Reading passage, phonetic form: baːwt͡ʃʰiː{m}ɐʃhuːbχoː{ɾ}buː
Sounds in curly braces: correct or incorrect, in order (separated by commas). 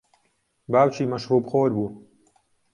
correct, correct